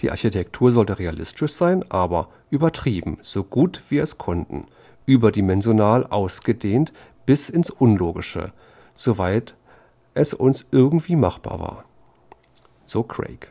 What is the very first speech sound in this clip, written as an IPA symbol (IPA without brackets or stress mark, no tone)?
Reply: d̥